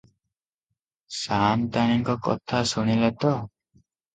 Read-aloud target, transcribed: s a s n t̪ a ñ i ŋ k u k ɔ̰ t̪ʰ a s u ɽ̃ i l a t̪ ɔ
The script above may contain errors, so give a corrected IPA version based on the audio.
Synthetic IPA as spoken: s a n t̪ a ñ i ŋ k ɔ k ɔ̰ t̪ʰ a s u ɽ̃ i l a t̪ ɔ